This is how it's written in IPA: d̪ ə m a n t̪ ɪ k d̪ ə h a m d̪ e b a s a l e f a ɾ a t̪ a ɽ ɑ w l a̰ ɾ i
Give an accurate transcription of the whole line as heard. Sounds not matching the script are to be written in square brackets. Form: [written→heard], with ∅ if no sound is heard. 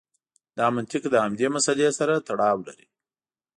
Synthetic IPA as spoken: d̪ [ə→ɑ] m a n t̪ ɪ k d̪ ə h a m d̪ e [b→m] a s a l e [f→s] a ɾ a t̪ a ɽ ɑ w l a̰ ɾ i